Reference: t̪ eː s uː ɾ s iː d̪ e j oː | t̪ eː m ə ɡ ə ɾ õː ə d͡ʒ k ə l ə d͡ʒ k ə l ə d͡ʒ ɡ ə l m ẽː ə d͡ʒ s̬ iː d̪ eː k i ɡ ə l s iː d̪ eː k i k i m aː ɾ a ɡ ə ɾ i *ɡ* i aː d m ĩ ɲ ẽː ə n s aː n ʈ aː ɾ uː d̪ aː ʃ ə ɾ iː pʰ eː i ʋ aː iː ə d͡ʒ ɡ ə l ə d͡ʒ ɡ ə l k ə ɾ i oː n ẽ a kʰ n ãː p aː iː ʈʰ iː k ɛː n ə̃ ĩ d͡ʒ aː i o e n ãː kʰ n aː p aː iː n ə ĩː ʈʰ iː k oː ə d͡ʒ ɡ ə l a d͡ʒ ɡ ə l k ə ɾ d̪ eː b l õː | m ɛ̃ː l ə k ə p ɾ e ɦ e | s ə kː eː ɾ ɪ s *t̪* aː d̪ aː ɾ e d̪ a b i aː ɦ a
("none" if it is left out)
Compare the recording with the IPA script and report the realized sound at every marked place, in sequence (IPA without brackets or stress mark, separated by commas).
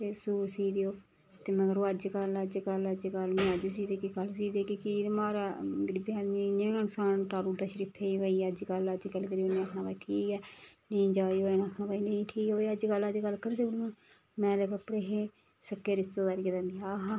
b, t̪